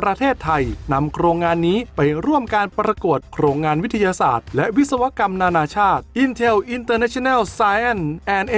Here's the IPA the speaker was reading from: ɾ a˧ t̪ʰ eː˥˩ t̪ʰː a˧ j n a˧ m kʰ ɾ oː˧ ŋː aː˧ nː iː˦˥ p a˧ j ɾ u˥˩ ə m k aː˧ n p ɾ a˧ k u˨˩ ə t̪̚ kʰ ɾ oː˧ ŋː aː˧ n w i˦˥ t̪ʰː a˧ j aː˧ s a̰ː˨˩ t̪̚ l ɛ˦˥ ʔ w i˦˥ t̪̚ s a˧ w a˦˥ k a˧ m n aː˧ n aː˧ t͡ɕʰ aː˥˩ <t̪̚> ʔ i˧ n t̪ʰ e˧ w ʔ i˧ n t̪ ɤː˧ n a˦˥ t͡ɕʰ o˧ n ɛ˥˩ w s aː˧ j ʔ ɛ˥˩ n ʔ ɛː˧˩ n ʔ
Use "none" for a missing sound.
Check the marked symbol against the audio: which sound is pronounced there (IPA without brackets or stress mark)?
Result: t̪̚